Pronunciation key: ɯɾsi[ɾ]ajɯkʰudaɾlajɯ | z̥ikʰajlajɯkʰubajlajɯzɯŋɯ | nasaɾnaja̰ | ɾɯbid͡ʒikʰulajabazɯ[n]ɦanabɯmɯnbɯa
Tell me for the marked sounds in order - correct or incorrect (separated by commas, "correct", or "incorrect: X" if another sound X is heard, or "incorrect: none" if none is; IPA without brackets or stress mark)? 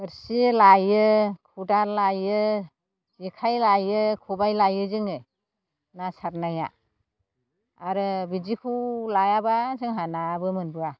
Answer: incorrect: l, incorrect: ŋ